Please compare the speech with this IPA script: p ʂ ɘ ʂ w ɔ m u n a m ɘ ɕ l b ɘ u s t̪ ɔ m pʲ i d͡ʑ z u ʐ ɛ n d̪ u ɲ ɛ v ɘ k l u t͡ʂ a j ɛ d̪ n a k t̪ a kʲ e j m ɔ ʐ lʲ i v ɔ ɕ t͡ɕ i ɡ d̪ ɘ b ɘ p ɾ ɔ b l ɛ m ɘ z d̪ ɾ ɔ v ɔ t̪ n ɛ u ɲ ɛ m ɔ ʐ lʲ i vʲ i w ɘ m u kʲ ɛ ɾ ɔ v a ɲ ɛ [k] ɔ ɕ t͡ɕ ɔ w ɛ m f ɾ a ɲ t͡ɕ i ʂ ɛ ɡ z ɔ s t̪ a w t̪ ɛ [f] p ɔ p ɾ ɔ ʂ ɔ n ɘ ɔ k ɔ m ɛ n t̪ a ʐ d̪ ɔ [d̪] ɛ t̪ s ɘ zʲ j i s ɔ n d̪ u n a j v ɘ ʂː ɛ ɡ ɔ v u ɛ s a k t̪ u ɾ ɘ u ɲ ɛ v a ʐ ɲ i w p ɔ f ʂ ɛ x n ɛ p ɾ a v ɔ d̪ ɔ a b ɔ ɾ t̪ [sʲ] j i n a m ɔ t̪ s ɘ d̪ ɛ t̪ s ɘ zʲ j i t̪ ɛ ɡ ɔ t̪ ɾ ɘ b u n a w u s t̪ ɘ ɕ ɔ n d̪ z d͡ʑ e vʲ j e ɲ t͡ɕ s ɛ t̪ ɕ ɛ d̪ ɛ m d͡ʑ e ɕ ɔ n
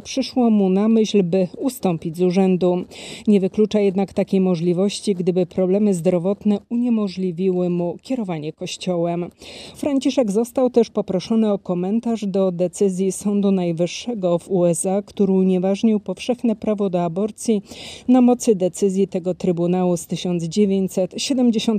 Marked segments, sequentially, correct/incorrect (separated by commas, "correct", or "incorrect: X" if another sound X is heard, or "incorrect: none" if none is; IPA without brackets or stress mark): correct, incorrect: ʂ, correct, correct